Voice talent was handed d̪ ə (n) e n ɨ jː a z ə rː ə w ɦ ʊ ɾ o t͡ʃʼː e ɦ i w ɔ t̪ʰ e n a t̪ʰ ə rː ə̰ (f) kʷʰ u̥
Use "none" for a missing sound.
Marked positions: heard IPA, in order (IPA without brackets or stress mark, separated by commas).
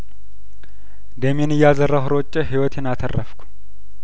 m, f